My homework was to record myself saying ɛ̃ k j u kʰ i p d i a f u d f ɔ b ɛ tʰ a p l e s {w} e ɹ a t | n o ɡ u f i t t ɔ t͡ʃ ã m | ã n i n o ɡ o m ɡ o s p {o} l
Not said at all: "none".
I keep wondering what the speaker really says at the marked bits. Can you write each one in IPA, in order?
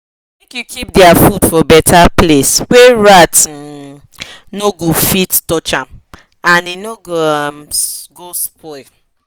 w, ɔ

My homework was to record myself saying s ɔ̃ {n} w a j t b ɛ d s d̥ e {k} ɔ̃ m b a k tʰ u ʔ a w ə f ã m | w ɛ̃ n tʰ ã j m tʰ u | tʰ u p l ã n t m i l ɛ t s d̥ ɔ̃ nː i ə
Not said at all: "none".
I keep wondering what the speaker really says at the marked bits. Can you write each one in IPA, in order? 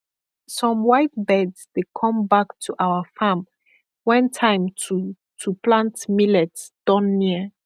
m, kʰ

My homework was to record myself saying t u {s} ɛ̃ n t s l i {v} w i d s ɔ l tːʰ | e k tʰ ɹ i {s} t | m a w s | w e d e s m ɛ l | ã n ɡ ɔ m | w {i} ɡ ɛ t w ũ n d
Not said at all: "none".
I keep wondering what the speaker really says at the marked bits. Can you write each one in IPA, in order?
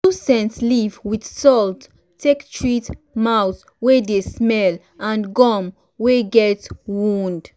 s, v, none, e

